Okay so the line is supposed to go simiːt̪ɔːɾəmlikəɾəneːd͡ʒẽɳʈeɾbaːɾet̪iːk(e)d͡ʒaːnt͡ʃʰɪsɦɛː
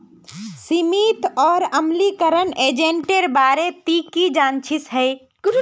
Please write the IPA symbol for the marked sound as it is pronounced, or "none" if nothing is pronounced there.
i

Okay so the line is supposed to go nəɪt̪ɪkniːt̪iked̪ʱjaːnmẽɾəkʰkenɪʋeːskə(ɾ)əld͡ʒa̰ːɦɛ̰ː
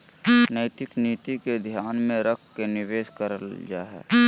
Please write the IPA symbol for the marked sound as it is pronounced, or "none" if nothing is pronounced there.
ɾ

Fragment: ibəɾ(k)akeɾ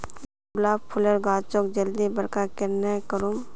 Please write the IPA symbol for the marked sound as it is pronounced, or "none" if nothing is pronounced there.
k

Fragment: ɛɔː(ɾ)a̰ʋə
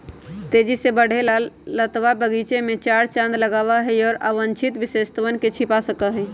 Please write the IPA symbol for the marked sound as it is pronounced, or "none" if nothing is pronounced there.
ɾ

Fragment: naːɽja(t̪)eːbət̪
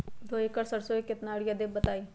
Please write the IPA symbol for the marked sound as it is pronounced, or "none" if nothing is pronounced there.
d̪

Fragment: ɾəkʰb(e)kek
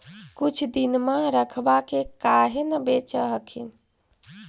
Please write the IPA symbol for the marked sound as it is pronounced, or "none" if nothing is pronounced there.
a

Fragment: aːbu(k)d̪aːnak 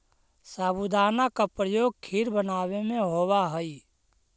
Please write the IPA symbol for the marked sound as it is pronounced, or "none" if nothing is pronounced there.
none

